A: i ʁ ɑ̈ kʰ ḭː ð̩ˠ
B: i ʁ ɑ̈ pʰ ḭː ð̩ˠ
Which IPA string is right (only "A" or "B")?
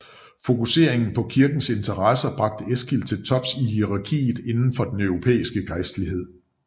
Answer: A